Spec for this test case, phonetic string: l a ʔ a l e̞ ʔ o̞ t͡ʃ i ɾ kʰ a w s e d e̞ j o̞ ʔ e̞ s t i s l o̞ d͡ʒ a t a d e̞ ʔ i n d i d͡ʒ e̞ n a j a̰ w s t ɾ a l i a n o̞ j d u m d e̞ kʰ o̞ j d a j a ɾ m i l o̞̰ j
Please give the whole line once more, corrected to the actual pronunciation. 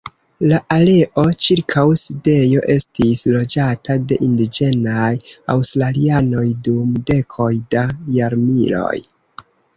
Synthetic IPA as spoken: l a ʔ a l e̞ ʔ o̞ t͡ʃ i ɾ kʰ a w s i d e̞ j o̞ ʔ e̞ s t i s l o̞ d͡ʒ a t a d e̞ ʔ i n d i d͡ʒ e̞ n a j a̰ w s t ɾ a l i a n o̞ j d u m d e̞ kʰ o̞ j d a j a ɾ m i l o̞̰ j

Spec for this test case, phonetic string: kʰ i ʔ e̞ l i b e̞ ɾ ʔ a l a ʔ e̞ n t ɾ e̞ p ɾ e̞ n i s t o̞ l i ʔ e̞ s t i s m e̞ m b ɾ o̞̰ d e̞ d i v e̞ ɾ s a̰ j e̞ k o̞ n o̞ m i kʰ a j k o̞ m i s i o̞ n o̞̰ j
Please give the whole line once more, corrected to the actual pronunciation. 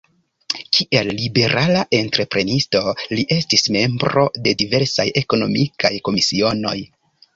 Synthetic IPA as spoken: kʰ i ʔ e̞ lː i b e̞ ɾ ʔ a l a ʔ e̞ n t ɾ e̞ p ɾ e̞ n i s t o̞ l i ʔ e̞ s t i s m e̞ m b ɾ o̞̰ d e̞ d i v e̞ ɾ s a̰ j e̞ k o̞ n o̞ m i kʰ a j k o̞ m i s i o̞ n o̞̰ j

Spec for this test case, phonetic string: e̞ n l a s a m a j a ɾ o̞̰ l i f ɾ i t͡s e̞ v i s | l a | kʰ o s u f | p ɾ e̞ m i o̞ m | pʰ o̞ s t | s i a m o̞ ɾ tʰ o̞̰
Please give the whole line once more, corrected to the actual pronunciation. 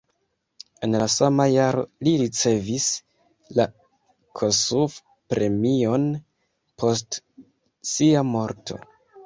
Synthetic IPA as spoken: e̞ n l a s a m a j a ɾ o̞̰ l i ɾ i t͡s e̞ v i s | l a | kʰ o s u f | p ɾ e̞ m i o̞ n | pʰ o̞ s t | s i a m o̞ ɾ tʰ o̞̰

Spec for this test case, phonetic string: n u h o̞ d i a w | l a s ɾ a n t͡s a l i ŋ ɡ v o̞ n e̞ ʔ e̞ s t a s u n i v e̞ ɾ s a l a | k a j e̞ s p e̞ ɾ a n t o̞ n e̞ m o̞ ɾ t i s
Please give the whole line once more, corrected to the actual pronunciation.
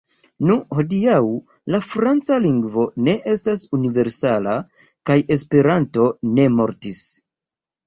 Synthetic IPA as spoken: n u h o̞ d i a w | l a f ɾ a n t͡s a l i ŋ ɡ v o̞ n e̞ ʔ e̞ s t a s u n i v e̞ ɾ s a l a | k a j e̞ s p e̞ ɾ a n t o̞ n e̞ m o̞ ɾ t i s

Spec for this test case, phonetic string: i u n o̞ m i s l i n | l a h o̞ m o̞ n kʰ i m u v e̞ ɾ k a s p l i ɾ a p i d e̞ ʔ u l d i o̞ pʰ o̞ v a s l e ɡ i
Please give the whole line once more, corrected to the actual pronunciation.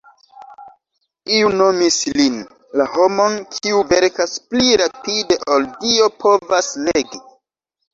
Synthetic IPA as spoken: i u n o̞ m i s l i n | l a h o̞ m o̞ n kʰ i u v e̞ ɾ k a s p l i ɾ a p i d e̞ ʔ o l d i o̞ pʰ o̞ v a s l e ɡ i

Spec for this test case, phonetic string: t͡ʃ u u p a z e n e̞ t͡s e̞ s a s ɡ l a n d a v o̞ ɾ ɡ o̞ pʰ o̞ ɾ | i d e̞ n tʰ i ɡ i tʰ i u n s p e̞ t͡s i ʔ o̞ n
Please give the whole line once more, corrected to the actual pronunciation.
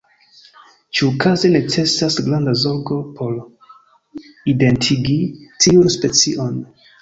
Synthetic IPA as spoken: t͡ʃ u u k a z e n e̞ t͡s e̞ s a s ɡ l a n d a z o̞ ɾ ɡ o̞ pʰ o̞ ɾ | i d e̞ n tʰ i ɡ i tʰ i u n s p e̞ t͡s i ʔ o̞ n

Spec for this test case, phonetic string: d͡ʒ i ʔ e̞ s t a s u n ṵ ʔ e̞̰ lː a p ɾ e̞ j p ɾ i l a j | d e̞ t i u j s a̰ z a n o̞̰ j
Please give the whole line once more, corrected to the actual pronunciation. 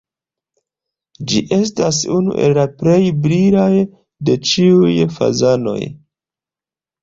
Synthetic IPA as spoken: d͡ʒ i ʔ e̞ s t a s u n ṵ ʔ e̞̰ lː a p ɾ e̞ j b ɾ i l a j | d e̞ t͡ʃ i u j f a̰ z a n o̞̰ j

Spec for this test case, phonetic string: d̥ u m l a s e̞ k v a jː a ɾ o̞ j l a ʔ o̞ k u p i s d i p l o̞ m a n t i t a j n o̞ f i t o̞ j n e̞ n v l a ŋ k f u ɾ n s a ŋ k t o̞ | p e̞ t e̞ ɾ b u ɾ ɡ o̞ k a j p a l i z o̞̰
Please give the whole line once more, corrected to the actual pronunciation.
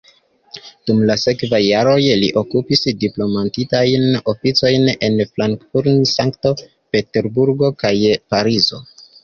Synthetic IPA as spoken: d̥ u m l a s e̞ k v a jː a ɾ o̞ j l i ʔ o̞ k u p i s d i p l o̞ m a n t i t a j n o̞ f i t͡s o̞ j n e̞ n f l a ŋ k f u ɾ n s a ŋ k t o̞ | p e̞ t e̞ ɾ b u ɾ ɡ o̞ k a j p a ɾ i z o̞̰

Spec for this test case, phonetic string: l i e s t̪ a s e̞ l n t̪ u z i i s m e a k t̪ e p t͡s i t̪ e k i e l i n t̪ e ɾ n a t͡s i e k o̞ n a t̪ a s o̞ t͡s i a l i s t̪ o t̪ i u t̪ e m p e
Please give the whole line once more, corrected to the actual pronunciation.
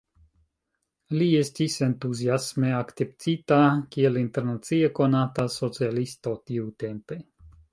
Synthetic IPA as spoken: l i e s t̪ i s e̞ n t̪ u z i a s m e a k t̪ e p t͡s i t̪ a k i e l i n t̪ e ɾ n a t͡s i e k o̞ n a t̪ a s o̞ t͡s i a l i s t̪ o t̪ i u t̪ e m p e

